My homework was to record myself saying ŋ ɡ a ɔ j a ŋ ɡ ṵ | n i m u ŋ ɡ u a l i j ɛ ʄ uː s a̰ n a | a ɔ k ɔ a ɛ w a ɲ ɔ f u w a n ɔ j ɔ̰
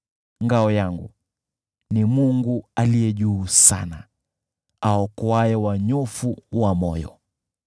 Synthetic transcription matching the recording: ŋ ɡ a ɔ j a ŋ ɡ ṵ | n i m u ŋ ɡ u a l i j ɛ ʄ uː s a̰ n a | a ɔ k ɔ a ɛ w a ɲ ɔ f u w a m ɔ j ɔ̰